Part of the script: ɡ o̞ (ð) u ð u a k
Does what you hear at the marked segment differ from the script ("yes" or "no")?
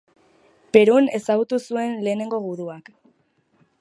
yes